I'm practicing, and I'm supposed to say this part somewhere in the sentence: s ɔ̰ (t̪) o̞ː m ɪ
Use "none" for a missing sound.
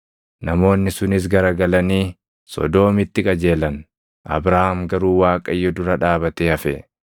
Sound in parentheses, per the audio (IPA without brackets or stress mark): d̪